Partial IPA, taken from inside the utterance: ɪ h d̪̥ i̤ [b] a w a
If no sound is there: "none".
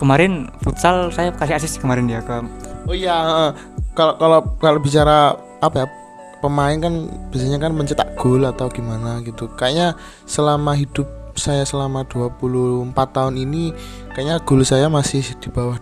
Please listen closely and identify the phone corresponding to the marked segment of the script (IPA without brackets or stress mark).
b